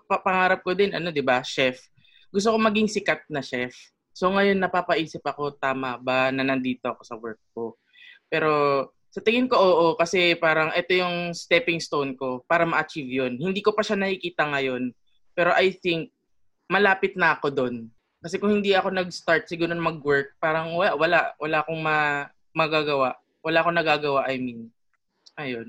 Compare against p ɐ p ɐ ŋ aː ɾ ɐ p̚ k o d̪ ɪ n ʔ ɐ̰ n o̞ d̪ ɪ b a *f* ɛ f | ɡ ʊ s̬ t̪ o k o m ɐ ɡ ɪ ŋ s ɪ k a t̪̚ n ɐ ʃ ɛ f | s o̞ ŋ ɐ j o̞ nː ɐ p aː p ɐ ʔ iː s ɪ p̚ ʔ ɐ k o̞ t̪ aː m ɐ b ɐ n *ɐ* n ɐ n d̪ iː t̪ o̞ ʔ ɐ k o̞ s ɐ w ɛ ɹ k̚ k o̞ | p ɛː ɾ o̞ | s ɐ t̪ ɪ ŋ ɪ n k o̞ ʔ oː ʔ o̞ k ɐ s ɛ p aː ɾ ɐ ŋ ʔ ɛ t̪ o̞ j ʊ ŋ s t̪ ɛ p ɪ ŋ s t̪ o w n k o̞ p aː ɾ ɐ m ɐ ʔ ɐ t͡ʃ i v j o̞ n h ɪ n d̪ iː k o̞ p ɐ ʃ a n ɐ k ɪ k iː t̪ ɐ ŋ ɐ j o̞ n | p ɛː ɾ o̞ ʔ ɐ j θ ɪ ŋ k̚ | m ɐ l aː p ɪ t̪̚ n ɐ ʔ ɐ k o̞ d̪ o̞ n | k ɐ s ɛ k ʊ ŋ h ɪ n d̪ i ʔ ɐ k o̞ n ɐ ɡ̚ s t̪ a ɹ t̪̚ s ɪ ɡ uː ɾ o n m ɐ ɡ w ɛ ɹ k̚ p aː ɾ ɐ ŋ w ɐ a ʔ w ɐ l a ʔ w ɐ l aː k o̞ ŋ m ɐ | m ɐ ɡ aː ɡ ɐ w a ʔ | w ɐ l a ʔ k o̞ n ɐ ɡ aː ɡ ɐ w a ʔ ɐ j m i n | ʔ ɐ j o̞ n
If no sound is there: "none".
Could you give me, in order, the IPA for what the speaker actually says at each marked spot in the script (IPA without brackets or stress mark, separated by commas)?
ʃ, ɐ